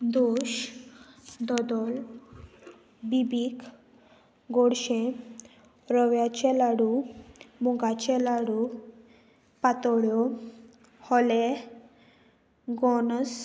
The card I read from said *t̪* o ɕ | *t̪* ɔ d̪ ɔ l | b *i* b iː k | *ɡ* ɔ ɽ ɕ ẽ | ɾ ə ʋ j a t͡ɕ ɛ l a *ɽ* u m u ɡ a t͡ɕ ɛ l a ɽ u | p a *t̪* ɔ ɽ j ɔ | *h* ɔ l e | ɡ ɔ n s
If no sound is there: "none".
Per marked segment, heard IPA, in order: d̪, d̪, i, ɡ, ɽ, t̪, h

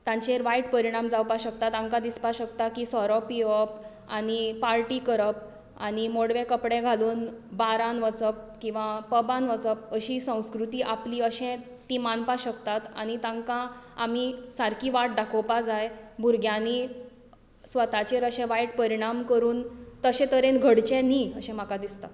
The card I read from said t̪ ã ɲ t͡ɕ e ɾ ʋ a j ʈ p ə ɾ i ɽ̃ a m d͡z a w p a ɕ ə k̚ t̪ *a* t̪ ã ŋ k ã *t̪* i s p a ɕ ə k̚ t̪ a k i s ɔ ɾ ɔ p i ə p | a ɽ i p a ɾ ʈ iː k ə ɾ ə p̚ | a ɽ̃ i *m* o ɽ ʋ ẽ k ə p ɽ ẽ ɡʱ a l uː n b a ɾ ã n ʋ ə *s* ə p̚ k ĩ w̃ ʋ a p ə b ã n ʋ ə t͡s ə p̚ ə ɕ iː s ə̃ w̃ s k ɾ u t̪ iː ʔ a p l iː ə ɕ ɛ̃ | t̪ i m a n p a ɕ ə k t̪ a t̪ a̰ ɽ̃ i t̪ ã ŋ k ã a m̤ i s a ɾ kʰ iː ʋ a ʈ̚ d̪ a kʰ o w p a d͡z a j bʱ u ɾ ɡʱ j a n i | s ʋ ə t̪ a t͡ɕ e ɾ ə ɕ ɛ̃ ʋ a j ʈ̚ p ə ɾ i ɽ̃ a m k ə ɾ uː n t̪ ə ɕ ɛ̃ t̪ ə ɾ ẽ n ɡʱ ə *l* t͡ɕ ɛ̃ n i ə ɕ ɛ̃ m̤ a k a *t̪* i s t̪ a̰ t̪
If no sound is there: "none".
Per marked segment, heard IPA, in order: a, d̪, m, t͡s, ɽ, d̪

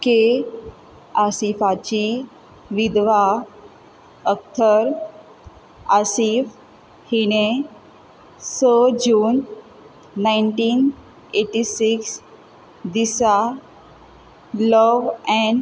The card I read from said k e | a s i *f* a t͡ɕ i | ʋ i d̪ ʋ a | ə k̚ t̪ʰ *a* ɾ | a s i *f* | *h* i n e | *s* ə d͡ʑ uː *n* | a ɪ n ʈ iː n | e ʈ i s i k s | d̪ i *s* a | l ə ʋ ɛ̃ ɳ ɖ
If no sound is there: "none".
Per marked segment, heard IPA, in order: f, ə, f, h, s, nː, s

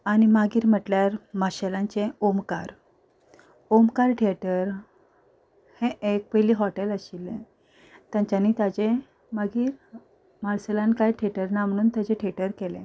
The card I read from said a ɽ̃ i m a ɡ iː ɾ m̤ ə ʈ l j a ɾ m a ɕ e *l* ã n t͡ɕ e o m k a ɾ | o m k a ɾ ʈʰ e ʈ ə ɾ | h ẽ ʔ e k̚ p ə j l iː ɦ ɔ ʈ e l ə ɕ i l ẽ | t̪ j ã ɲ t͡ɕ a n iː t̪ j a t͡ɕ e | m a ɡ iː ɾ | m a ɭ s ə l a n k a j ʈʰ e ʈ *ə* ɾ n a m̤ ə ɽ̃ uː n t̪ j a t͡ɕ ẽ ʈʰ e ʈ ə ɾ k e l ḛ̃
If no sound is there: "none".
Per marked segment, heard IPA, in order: l, ə

